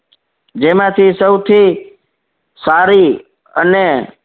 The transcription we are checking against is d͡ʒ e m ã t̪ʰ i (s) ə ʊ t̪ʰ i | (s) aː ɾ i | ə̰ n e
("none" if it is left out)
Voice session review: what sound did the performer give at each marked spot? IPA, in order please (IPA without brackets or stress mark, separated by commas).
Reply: s, s